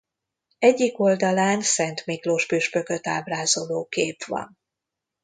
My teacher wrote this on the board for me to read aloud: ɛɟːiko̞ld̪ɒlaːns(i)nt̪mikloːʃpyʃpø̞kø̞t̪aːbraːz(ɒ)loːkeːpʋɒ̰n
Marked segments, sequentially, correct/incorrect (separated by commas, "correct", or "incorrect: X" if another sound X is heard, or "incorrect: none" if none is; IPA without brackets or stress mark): incorrect: ɛ, incorrect: o